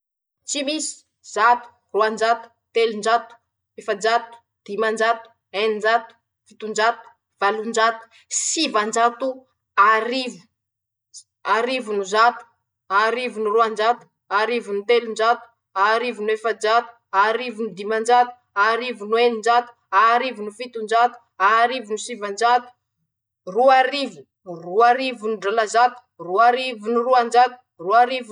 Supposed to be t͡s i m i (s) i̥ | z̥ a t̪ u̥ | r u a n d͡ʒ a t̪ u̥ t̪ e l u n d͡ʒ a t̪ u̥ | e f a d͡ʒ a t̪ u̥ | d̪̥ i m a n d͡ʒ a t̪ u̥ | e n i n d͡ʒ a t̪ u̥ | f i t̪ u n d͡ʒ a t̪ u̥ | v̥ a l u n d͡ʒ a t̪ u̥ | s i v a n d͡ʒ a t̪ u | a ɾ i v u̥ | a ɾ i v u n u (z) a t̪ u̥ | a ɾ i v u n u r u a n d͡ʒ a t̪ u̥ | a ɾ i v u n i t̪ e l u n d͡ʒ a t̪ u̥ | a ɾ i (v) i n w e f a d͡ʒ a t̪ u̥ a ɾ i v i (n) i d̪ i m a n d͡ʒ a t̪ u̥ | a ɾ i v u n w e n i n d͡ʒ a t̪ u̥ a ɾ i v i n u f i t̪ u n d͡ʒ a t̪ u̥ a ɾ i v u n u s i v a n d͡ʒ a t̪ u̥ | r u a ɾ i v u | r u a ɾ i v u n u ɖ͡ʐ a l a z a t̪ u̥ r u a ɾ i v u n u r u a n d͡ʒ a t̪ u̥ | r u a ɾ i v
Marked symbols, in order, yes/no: yes, yes, yes, yes

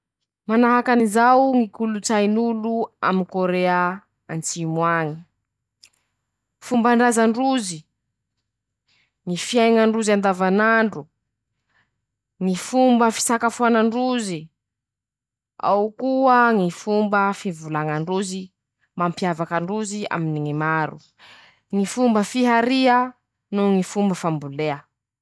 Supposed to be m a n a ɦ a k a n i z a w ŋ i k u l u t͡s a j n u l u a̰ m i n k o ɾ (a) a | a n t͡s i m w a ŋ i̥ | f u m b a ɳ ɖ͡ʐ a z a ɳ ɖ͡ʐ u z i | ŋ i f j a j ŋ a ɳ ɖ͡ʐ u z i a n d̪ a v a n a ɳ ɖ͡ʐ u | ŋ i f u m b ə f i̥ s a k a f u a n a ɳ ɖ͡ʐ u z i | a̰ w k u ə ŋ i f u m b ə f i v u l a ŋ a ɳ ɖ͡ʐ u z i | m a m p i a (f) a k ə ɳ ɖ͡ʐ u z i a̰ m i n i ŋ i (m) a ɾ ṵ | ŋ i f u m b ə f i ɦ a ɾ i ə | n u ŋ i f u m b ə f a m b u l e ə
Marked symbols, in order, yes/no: no, no, yes

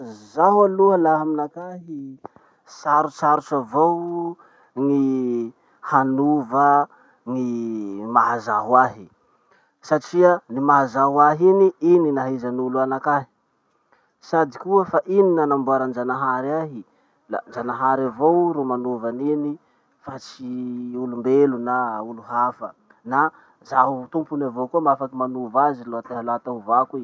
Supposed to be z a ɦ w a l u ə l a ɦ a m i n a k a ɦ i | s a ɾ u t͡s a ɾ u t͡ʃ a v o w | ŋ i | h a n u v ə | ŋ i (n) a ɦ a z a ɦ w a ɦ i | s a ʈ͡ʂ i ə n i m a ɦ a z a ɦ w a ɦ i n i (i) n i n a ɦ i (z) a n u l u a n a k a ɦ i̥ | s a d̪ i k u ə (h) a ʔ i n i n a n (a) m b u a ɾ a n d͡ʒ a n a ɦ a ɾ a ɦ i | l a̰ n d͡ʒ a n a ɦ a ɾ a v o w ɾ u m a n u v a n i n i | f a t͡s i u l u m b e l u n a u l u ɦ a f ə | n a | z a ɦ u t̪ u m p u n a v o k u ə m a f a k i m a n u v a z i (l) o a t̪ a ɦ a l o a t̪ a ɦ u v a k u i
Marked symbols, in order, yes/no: no, yes, yes, no, yes, yes

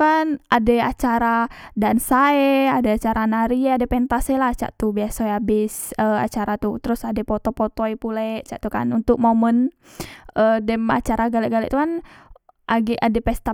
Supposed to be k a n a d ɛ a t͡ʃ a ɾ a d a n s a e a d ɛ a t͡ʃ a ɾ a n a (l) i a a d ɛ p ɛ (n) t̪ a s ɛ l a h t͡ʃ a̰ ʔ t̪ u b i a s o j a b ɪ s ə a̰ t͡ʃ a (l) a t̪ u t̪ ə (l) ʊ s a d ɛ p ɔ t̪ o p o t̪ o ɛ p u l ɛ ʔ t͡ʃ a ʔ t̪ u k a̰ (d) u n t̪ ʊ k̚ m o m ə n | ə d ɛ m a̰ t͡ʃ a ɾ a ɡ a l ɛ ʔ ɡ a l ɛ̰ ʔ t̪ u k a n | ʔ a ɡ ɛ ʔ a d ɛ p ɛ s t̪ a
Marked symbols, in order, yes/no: no, yes, no, no, no

